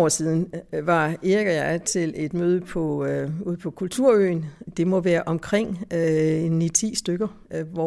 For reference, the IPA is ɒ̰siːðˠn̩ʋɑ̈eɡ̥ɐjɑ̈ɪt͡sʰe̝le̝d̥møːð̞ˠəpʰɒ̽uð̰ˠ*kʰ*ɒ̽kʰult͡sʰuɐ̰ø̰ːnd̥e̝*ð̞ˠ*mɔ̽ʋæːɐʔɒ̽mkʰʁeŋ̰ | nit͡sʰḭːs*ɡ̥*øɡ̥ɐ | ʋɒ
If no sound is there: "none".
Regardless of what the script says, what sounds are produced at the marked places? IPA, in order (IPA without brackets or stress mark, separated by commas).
pʰ, none, d̥